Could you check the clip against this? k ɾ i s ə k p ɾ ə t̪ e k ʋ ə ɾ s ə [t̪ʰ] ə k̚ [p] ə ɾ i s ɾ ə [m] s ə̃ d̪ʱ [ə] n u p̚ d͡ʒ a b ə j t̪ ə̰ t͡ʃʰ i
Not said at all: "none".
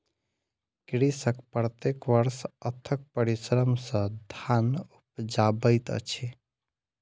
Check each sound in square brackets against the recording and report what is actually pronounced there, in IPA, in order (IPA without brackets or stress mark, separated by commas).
t̪ʰ, p, m, a